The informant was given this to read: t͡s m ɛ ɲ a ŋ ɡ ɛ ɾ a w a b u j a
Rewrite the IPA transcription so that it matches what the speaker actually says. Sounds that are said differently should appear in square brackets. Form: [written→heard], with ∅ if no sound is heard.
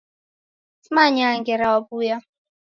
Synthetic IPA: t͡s m [ɛ→a] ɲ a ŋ ɡ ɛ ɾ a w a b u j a